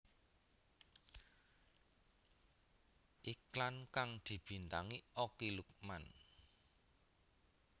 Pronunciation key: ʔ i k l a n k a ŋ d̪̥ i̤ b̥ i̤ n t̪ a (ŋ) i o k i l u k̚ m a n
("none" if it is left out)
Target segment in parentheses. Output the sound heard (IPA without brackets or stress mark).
ŋ